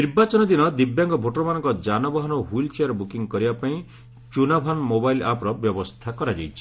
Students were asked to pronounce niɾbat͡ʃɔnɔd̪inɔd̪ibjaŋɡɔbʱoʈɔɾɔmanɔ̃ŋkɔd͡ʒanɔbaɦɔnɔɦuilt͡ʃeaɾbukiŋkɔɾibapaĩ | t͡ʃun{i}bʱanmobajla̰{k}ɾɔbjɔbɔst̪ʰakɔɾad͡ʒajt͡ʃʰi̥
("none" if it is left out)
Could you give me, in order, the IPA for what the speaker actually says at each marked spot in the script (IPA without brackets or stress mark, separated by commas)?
a, p